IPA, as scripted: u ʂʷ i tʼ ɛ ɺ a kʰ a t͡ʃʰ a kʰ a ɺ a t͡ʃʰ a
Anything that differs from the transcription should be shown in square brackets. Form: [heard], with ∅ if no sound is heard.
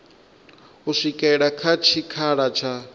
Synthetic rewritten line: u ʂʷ i [kʼ] ɛ ɺ a kʰ a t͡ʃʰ [i] kʰ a ɺ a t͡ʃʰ a